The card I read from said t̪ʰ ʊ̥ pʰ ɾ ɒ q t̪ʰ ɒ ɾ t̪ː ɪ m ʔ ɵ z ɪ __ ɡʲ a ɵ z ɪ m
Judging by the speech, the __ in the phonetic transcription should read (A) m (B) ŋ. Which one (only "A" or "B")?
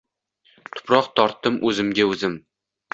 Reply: A